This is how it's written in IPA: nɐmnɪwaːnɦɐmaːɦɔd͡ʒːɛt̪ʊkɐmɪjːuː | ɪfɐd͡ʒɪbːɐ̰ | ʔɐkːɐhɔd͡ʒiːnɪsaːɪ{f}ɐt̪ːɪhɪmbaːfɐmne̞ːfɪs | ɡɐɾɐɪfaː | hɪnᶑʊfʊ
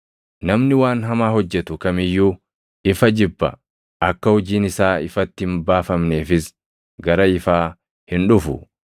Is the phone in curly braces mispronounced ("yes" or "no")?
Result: no